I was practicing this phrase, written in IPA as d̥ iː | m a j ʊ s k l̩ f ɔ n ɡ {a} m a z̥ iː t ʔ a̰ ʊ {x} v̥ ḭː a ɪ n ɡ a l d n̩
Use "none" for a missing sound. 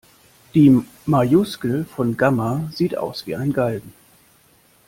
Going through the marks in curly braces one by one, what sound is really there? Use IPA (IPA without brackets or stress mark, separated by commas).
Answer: a, s